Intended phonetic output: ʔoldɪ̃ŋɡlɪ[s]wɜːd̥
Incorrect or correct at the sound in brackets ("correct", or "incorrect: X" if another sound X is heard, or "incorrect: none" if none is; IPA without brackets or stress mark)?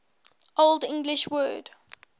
incorrect: ʃ